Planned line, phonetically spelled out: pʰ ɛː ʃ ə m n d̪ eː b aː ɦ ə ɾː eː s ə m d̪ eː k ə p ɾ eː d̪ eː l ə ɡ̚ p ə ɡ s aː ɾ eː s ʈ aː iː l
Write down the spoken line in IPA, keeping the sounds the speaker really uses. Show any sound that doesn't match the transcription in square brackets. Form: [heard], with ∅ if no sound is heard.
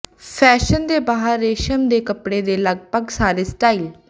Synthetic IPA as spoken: pʰ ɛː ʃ ə [∅] n d̪ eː b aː ɦ ə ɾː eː [ʃ] ə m d̪ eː k ə p [ɽ] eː d̪ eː l ə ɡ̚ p ə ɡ s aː ɾ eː s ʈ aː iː l

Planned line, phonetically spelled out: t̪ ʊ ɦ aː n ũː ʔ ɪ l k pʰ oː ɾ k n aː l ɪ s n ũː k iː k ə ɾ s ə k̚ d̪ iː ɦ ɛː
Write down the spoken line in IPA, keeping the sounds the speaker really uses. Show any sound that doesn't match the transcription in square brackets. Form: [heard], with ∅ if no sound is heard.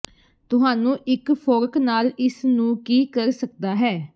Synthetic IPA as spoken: t̪ ʊ ɦ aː n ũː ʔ ɪ [∅] k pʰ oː ɾ k n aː l ɪ s n ũː k iː k ə ɾ s ə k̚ d̪ [aː] ɦ ɛː

